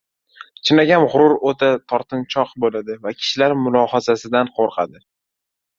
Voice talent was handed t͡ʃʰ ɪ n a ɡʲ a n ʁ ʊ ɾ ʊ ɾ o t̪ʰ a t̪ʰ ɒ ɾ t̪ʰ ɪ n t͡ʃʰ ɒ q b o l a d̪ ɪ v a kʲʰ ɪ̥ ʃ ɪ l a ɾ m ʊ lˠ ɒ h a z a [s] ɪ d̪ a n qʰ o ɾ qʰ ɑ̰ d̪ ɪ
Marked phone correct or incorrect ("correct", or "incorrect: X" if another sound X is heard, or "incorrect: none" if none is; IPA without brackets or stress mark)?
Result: correct